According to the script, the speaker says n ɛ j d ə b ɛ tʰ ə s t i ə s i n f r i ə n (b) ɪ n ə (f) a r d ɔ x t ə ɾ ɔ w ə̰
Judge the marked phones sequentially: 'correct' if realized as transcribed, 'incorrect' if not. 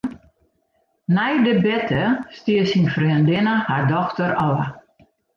incorrect, incorrect

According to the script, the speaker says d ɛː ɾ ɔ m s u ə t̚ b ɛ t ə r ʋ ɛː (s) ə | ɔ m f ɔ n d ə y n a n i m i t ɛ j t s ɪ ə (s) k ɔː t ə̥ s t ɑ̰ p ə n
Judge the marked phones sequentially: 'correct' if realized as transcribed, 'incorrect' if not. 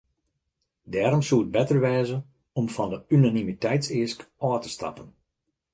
incorrect, correct

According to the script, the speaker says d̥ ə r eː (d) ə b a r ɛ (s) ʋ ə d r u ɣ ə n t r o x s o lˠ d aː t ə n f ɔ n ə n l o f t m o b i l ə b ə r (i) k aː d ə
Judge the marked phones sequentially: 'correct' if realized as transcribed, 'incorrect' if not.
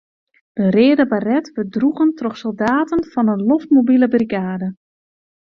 correct, incorrect, correct

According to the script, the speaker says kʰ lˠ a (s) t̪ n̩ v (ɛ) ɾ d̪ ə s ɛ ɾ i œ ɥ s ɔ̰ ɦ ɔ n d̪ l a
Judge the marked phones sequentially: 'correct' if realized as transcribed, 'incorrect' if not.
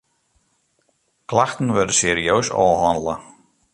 incorrect, correct

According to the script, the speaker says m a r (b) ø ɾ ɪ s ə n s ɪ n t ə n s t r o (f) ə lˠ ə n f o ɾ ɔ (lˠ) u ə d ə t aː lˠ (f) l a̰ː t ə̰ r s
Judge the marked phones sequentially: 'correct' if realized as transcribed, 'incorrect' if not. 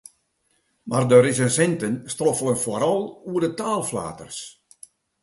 incorrect, correct, correct, correct

